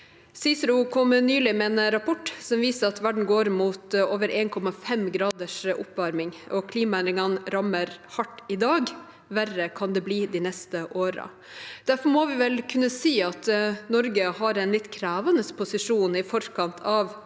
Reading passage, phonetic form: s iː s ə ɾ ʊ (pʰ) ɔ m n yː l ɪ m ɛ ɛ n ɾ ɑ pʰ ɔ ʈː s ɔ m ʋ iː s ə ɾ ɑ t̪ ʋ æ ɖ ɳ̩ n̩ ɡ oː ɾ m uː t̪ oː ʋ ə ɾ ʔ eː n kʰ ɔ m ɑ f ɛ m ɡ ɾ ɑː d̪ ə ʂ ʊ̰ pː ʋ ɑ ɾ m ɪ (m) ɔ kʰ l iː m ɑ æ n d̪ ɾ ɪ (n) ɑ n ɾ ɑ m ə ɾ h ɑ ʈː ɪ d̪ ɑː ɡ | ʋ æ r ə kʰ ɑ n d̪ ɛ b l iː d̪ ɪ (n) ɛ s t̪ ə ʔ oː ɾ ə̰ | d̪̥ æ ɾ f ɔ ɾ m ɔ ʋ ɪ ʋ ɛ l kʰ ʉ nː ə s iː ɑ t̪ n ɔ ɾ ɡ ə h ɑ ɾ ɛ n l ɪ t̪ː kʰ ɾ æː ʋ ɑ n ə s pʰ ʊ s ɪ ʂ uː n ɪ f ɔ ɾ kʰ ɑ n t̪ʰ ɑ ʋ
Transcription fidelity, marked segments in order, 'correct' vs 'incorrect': incorrect: kʰ, incorrect: ŋ, incorrect: ŋ, correct

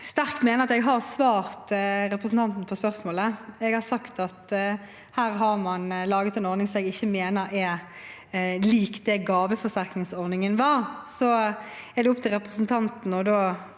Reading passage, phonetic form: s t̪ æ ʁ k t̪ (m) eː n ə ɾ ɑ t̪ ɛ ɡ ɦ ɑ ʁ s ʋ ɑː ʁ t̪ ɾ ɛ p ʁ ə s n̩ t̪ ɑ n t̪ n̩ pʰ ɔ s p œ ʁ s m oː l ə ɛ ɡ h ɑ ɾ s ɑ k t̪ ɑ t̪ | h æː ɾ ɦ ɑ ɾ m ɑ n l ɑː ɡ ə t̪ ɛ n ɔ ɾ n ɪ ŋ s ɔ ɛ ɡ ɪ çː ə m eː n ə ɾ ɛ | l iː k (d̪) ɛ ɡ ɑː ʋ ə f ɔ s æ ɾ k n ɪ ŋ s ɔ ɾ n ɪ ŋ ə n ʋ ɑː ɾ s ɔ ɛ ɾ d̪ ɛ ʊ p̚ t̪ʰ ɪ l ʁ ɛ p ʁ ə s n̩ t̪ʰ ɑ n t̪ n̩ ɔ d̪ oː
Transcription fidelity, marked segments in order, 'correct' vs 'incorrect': correct, correct

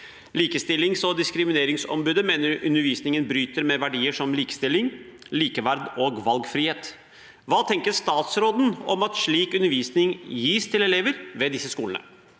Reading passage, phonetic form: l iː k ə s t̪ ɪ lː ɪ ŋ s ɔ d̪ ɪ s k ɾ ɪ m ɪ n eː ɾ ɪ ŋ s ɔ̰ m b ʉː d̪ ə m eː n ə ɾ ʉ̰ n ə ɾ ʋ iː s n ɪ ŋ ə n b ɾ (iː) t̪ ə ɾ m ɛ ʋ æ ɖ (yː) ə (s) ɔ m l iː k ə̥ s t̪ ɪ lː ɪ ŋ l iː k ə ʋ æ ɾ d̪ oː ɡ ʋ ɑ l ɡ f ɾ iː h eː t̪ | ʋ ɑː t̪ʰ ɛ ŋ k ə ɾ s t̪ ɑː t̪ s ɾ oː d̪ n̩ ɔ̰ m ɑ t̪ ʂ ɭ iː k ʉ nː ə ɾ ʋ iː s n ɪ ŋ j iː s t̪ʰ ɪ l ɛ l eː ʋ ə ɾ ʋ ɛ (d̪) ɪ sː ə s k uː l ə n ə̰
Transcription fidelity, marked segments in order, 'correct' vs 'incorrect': incorrect: yː, incorrect: iː, incorrect: ʂ, correct

